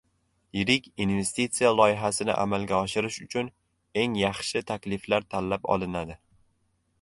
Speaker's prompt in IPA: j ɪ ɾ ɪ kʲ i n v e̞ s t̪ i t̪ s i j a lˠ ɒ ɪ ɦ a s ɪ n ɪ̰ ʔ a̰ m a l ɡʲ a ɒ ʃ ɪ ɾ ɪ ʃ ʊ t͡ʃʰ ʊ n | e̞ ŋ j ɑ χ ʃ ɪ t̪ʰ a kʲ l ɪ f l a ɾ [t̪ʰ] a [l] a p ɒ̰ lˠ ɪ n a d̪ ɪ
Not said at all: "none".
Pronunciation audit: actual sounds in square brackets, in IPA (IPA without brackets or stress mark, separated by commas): t̪ʰ, lː